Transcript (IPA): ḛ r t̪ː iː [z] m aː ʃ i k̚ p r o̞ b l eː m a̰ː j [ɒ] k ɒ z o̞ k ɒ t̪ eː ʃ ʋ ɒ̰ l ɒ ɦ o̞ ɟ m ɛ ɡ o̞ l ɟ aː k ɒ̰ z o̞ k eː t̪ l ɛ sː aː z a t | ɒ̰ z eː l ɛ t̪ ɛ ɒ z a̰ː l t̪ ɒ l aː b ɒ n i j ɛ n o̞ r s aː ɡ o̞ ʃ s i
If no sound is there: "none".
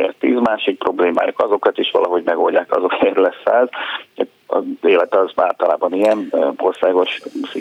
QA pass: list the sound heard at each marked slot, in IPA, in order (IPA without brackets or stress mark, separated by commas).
z, o